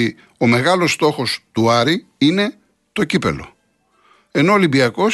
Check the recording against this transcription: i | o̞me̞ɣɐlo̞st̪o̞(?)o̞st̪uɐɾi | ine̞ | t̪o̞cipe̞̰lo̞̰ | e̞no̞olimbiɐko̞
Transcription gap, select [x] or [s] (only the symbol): x